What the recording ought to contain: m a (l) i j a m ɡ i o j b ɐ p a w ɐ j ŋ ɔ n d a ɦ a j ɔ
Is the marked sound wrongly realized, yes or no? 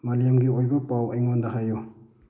no